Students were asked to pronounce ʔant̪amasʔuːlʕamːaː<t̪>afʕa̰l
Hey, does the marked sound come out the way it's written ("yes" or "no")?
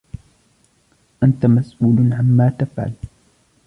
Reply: yes